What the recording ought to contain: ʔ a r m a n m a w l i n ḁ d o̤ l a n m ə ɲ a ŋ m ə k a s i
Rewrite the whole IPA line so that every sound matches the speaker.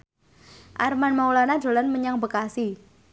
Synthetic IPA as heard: ʔ a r m a n m a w l a n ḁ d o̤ l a n m ə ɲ a ŋ b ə k a s i